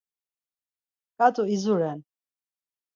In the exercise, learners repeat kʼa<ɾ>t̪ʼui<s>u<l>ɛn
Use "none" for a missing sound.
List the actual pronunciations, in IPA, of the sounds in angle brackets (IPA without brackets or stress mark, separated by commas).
none, z, ɾ